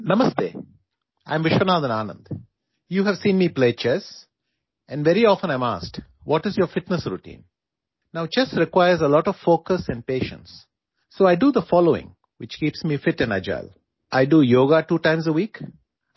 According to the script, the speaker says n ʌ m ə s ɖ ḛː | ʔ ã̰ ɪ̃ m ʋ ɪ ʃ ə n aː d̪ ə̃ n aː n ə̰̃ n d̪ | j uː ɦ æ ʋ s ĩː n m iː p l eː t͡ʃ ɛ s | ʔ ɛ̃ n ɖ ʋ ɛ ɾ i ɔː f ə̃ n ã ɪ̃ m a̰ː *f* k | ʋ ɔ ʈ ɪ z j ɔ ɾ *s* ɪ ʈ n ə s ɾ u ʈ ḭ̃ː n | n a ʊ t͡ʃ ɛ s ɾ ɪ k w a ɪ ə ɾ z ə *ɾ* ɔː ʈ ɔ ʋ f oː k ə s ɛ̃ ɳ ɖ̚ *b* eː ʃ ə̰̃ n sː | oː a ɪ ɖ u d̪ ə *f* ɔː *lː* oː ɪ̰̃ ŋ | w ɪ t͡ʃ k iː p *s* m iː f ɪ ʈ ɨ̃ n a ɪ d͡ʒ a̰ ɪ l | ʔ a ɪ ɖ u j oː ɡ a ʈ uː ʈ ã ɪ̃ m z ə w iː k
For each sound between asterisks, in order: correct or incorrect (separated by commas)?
incorrect, incorrect, incorrect, incorrect, correct, incorrect, correct